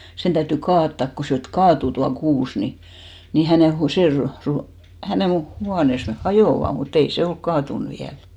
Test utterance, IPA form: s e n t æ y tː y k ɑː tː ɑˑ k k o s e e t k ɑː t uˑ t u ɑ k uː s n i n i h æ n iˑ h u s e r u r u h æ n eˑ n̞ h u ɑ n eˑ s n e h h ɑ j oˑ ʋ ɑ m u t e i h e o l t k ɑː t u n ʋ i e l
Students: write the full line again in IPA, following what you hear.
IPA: s e n t æ y tː y k ɑː tː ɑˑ k k o s e e t k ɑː t uˑ t u ɑ k uː s n i n i h æ n eˑ h u s e r u r u h æ n eˑ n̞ h u ɑ n eˑ s n e h h ɑ j oˑ ʋ ɑ m u t e i s e o l k k ɑː t u n ʋ i æ l